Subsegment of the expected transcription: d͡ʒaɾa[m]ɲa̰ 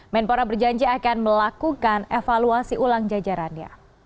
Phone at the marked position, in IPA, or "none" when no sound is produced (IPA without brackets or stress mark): n